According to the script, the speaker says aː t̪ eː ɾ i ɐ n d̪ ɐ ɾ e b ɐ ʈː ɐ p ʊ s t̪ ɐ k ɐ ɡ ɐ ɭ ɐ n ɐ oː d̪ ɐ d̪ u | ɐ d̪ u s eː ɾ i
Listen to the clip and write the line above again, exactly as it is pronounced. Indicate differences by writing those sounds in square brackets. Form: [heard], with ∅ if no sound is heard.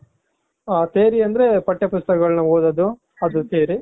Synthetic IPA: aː t̪ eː ɾ i ɐ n d̪ ɐ ɾ e [p] ɐ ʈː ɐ p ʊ s t̪ ɐ k ɐ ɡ ɐ ɭ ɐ n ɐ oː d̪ ɐ d̪ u | ɐ d̪ u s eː ɾ i